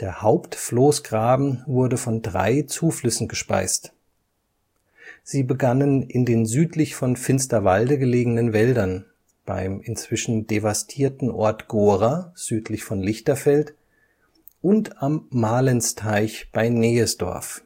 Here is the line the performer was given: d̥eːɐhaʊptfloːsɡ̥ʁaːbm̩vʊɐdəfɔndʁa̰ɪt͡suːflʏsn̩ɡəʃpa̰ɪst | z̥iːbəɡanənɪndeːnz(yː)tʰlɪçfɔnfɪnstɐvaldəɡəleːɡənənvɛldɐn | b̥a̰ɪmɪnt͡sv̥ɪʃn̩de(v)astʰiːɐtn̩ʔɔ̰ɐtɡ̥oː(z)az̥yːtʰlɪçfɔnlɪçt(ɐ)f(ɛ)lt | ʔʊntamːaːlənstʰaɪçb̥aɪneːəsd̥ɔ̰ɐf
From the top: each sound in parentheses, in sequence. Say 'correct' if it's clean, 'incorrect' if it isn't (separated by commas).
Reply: correct, correct, incorrect, correct, correct